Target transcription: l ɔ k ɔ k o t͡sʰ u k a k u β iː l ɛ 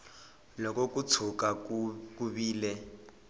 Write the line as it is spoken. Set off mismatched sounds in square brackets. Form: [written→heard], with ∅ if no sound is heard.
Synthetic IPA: l ɔ k ɔ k [o→u] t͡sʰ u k a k u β iː l ɛ